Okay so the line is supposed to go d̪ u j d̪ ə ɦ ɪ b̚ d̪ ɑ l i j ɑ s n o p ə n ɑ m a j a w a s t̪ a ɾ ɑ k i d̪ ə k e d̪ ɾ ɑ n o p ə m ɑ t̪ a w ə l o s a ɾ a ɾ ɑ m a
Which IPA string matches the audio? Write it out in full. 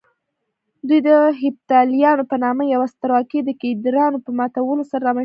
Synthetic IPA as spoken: d̪ u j d̪ ə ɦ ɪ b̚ t̪ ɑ l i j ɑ n o p ə n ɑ m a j a w a s t̪ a ɾ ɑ k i d̪ ə k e d̪ ɾ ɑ n o p ə m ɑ t̪ a w ə l o s a ɾ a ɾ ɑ m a